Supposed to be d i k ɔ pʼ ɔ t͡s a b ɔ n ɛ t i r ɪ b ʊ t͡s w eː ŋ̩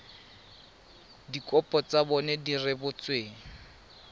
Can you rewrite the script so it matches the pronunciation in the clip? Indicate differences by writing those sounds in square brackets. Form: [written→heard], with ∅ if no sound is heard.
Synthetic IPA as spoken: d i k ɔ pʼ ɔ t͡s a b ɔ n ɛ [t→d] i r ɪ b ʊ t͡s w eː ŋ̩